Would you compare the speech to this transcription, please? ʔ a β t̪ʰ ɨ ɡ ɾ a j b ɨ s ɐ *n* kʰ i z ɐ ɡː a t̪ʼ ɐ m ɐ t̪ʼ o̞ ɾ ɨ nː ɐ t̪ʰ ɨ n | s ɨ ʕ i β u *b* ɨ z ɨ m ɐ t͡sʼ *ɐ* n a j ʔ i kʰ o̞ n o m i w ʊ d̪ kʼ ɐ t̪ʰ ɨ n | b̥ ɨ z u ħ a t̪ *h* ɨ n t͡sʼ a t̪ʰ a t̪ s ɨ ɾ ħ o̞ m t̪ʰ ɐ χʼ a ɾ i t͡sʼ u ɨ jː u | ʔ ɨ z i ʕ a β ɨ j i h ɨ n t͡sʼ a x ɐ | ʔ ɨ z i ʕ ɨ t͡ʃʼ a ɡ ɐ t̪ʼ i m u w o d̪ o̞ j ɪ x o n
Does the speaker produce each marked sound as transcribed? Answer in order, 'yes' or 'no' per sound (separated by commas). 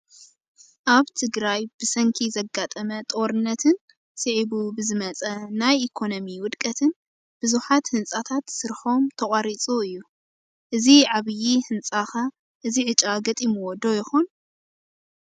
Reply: no, yes, yes, yes